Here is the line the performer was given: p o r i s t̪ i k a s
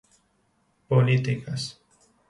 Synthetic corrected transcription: p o l i t̪ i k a s